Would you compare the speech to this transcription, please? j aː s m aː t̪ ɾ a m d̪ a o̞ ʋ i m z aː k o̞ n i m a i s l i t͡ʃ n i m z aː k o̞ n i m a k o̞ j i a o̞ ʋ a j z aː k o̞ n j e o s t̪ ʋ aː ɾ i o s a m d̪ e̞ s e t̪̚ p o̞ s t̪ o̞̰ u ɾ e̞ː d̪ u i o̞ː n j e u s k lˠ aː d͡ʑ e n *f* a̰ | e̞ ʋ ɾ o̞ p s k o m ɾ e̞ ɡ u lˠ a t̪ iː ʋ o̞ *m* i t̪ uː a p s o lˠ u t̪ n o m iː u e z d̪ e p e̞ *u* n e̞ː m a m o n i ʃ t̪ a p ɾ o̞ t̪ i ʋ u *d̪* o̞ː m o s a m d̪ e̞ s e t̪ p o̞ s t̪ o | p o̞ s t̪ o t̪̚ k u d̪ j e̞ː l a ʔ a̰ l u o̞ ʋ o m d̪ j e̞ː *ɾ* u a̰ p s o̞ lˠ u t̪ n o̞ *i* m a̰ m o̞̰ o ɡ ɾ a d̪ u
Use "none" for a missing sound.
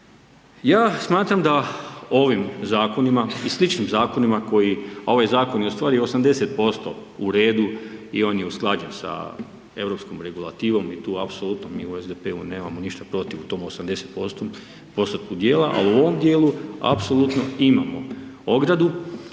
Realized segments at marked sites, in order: s, m, u, t̪, l, i

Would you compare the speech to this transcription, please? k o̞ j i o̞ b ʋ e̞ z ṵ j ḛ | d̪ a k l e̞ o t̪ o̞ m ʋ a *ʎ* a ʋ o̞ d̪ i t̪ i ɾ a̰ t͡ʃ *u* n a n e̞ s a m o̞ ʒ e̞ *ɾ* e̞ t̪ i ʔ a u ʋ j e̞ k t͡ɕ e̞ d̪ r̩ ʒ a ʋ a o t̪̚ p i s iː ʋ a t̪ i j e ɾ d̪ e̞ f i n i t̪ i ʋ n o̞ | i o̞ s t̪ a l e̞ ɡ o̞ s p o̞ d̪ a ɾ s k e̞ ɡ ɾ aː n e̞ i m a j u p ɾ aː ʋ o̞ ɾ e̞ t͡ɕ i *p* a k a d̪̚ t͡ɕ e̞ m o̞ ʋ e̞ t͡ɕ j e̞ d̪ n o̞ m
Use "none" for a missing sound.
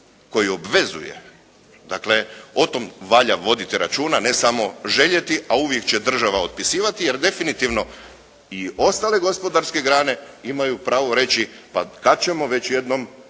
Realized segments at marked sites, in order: ʎ, uː, ʎ, p

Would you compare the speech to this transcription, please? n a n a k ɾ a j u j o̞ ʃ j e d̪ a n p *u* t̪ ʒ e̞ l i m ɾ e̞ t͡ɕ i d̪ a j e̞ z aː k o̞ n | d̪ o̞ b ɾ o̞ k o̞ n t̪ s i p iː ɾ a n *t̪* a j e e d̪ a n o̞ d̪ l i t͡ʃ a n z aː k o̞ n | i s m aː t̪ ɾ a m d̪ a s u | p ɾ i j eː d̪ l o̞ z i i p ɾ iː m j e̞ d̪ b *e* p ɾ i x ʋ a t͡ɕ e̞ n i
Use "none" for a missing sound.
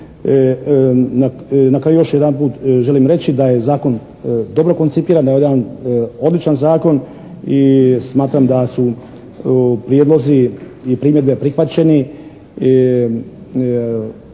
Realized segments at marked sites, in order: uː, d̪, e

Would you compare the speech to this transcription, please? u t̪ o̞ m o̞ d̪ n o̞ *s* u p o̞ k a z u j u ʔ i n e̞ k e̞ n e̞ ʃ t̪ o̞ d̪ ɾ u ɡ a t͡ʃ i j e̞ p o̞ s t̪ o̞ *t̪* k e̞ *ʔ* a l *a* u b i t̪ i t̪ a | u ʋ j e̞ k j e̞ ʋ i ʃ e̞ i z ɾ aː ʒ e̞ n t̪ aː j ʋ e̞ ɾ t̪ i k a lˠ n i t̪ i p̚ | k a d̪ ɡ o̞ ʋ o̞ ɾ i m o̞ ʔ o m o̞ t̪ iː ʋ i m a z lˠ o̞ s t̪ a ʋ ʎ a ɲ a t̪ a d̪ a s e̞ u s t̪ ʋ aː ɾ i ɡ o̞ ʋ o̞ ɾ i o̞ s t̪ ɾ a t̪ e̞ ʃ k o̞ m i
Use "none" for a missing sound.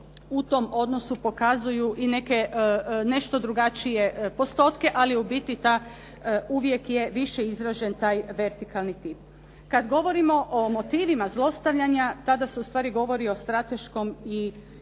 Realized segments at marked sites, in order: s, t̪, ʔ, i

